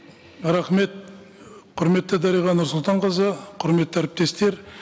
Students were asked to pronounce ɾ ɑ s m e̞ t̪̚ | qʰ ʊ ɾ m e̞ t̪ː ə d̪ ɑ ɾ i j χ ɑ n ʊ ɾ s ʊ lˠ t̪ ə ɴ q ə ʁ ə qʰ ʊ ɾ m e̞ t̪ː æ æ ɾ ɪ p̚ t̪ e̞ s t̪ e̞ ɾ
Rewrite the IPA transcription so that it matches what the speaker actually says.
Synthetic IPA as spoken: ɾ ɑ χ m e̞ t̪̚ | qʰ ʊ ɾ m e̞ t̪ː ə d̪ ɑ ɾ i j ʁ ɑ n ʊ ɾ s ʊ lˠ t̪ ɑ ɴ q ə z ə qʰ ʊ ɾ m e̞ t̪ː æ æ ɾ ɪ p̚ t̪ e̞ s t̪ e̞ ɾ